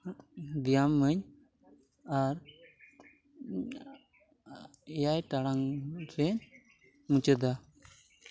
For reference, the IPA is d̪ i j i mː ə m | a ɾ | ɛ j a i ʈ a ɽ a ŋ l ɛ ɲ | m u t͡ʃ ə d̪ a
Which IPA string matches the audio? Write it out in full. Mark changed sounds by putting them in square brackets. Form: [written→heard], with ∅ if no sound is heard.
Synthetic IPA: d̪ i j [i→a] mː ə [m→ɲ] | a ɾ | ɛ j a [i→j] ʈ a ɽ a ŋ [l→ɾ] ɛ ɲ | m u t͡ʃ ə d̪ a